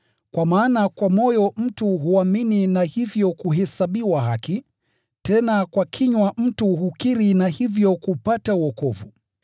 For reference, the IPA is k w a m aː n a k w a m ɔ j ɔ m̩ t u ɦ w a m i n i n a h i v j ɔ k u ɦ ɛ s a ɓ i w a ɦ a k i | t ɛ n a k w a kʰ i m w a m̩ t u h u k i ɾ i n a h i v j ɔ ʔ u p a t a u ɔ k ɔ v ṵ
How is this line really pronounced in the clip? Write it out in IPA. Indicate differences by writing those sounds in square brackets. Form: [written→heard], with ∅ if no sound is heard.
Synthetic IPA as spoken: k w a m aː n a k w a m ɔ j ɔ m̩ t u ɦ [w→u] a m i n i n a h i v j ɔ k u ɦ ɛ s a ɓ i w a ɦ a k i | t ɛ n a k w a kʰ i [m→ɲ] w a m̩ t u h u k i ɾ i n a h i v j ɔ [ʔ→k] u p a t a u ɔ k ɔ v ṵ